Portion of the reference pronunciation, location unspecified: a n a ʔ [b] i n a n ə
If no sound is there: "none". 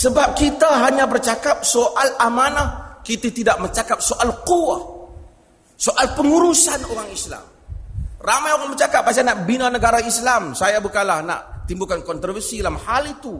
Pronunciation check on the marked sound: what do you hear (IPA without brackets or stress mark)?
b